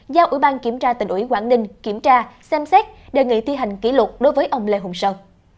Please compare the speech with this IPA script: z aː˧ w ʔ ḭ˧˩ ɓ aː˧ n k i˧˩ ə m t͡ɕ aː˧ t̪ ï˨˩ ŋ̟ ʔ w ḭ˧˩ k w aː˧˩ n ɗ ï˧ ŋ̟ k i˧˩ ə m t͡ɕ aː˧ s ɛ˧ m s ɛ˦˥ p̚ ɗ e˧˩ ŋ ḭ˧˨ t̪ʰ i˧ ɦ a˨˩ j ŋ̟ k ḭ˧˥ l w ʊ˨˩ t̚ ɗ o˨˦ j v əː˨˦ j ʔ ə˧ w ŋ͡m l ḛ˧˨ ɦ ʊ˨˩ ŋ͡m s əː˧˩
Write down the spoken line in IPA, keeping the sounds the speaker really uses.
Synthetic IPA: z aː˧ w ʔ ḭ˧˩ ɓ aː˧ n k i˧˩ ə m t͡ɕ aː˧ t̪ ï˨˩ ŋ̟ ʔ w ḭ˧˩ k w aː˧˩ n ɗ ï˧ ŋ̟ k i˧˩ ə m t͡ɕ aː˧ s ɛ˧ m s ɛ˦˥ t̚ ɗ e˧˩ ŋ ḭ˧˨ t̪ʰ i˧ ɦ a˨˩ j ŋ̟ k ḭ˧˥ l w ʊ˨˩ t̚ ɗ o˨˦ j v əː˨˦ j ʔ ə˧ w ŋ͡m l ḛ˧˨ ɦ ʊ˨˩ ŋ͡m s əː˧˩

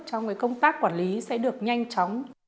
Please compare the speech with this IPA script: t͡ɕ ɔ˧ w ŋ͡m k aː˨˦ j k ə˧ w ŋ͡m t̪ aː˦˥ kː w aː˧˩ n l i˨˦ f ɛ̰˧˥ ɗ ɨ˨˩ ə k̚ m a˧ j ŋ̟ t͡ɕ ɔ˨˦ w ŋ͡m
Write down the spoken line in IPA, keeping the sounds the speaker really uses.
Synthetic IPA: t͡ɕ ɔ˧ w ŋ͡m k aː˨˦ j k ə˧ w ŋ͡m t̪ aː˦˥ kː w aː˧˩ n l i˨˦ s ɛ̰˧˥ ɗ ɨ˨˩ ə k̚ ɲ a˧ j ŋ̟ t͡ɕ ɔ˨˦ w ŋ͡m

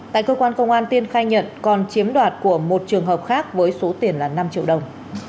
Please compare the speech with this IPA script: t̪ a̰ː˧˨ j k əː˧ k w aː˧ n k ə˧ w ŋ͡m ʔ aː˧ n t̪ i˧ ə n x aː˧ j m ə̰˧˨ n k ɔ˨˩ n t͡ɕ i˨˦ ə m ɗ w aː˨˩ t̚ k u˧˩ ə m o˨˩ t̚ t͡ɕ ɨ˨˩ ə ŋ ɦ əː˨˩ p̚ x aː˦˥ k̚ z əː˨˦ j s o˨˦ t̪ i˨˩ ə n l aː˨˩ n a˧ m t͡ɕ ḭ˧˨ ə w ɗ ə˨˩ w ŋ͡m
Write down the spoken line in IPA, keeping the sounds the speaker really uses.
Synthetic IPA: t̪ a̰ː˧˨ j k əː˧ k w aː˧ n k ə˧ w ŋ͡m ʔ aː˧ n t̪ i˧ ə n x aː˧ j ɲ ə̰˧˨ n k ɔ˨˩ n t͡ɕ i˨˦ ə m ɗ w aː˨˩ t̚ k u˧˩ ə m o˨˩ t̚ t͡ɕ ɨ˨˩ ə ŋ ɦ əː˨˩ p̚ x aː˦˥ k̚ v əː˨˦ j s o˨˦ t̪ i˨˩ ə n l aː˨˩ n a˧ m t͡ɕ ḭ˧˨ ə w ɗ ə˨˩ w ŋ͡m

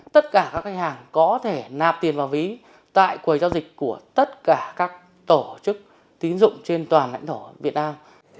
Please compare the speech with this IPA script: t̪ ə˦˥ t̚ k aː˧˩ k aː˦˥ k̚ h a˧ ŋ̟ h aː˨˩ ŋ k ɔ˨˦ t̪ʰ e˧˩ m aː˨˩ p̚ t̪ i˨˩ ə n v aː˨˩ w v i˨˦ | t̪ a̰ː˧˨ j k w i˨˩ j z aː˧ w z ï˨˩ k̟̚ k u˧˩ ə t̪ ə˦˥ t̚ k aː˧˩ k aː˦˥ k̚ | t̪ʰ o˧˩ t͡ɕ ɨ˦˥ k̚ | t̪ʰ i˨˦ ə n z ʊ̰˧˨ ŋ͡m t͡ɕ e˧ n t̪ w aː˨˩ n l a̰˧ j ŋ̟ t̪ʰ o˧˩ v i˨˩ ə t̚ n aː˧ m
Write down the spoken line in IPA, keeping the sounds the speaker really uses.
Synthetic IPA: t̪ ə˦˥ t̚ k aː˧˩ k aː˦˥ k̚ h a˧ ŋ̟ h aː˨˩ ŋ k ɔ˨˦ t̪ʰ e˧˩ n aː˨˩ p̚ t̪ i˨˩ ə n v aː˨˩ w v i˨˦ | t̪ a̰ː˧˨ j k w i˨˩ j z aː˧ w z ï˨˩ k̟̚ k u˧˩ ə t̪ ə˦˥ t̚ k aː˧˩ k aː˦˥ k̚ | t̪ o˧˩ t͡ɕ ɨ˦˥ k̚ | t̪ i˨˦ ə n z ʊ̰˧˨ ŋ͡m t͡ɕ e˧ n t̪ w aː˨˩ n l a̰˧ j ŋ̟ t̪ʰ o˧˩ v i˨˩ ə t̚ n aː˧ m

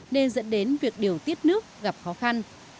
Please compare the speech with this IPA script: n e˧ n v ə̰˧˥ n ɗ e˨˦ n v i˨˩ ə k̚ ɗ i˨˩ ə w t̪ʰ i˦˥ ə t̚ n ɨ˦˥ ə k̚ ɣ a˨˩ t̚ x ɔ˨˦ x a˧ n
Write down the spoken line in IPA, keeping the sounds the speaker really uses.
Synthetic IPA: n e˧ n z ə̰˧˥ n ɗ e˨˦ n v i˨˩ ə k̚ ɗ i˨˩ ə w t̪ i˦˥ ə t̚ n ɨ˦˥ ə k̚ ɣ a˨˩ p̚ x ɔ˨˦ x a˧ n

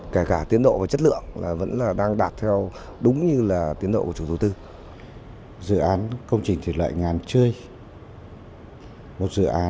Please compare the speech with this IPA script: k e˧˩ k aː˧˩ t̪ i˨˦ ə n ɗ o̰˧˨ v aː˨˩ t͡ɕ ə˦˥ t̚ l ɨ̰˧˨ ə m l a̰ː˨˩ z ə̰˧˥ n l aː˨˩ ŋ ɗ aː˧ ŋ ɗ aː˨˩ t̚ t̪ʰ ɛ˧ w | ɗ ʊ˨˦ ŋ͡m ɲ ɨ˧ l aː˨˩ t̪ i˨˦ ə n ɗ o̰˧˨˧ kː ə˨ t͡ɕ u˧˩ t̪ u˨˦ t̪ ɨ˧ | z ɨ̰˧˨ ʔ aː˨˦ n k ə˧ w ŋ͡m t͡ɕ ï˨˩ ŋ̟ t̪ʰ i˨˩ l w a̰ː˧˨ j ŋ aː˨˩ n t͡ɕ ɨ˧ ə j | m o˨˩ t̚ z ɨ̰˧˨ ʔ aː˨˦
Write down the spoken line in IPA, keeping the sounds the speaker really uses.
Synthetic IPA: k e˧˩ k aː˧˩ t̪ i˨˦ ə n ɗ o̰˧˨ v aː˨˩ t͡ɕ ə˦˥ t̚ l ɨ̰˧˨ ə ŋ l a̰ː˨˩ v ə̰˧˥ n l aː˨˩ ɗ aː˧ ŋ ɗ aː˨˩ t̚ t̪ʰ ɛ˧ w | ɗ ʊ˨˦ ŋ͡m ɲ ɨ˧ l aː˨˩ t̪ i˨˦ ə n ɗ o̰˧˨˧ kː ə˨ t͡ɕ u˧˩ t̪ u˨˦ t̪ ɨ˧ | z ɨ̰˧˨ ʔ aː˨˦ n k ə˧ w ŋ͡m t͡ɕ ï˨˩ ŋ̟ t̪ʰ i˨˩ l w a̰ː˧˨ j ŋ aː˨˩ n t͡ɕ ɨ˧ ə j | m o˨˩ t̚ z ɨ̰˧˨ ʔ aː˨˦

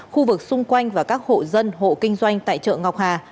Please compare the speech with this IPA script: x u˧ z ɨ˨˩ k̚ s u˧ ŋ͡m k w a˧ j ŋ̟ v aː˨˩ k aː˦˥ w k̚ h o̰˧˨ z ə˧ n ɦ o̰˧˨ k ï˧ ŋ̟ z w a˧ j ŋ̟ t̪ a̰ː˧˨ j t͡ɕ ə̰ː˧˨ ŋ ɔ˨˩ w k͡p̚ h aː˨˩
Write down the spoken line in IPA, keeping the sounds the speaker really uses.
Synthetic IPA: x u˧ v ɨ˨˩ k̚ s ʊ˧ ŋ͡m k w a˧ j ŋ̟ v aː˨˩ k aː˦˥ k̚ h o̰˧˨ z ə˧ n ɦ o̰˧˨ k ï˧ ŋ̟ z w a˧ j ŋ̟ t̪ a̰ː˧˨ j t͡ɕ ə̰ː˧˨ ŋ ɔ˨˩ w k͡p̚ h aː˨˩

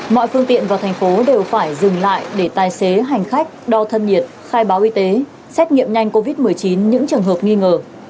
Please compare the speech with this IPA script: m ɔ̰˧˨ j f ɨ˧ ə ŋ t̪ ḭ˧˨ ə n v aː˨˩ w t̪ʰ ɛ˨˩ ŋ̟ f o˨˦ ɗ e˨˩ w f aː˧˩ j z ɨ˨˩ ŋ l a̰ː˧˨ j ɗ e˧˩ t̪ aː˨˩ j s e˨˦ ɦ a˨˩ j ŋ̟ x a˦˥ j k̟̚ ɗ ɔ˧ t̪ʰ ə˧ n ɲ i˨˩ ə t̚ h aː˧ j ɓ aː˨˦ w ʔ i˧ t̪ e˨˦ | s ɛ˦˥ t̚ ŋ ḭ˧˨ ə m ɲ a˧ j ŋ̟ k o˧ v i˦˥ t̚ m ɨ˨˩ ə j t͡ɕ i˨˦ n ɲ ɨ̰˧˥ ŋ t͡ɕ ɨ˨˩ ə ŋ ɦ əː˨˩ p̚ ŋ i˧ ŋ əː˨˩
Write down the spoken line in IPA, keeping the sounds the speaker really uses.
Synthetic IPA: m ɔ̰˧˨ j f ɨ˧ ə ŋ t̪ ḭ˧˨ ə n v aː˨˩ w t̪ʰ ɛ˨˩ ŋ̟ f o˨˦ ɗ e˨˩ w f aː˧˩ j z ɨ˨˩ ŋ l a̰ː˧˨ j ɗ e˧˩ t̪ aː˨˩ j s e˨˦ ɦ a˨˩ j ŋ̟ x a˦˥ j k̟̚ ɗ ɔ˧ t̪ʰ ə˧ n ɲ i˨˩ ə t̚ x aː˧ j ɓ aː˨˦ w ʔ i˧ t̪ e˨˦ | s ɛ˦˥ t̚ ŋ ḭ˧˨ ə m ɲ a˧ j ŋ̟ k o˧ v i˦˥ t̚ m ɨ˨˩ ə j t͡ɕ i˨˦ n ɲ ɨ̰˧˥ ŋ t͡ɕ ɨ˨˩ ə ŋ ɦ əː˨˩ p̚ ŋ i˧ ŋ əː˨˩

